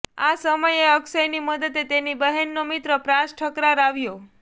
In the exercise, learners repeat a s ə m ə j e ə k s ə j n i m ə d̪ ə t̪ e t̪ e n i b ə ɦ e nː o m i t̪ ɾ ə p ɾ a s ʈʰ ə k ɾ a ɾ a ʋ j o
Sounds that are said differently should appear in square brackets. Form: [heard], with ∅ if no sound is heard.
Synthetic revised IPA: a s ə m ə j e ə k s ə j n i m ə d̪ ə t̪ e t̪ e n i b ə ɦ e nː o m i t̪ ɾ ə p ɾ a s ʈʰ ə k ɾ a ɾ a ʋ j o